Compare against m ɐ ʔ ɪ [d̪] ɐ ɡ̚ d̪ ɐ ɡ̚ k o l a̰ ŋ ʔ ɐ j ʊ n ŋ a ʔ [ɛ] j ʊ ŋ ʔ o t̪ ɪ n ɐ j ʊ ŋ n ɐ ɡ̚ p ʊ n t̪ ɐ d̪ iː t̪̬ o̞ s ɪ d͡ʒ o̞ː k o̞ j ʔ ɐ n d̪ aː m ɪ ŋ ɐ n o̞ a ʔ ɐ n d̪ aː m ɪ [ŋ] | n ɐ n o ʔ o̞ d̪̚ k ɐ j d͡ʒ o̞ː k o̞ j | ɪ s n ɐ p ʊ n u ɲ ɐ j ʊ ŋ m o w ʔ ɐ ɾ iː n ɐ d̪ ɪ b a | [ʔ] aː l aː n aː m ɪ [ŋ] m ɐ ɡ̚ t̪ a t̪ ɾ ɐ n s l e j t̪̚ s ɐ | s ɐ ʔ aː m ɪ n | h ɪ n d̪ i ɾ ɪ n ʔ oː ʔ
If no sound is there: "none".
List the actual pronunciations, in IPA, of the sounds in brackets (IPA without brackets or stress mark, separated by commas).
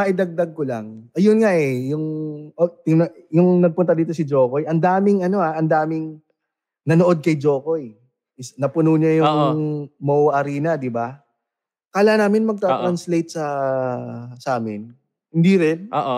d̪, ɛ, ŋ, k, n